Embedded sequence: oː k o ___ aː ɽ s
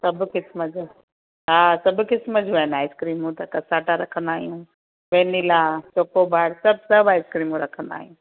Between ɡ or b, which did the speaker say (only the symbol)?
b